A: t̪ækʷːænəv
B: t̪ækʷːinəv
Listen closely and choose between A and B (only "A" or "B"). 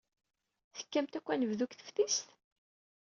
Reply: A